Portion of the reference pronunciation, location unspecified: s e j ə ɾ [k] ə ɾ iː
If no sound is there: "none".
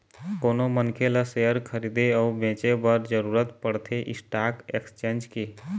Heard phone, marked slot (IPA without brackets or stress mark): kʰ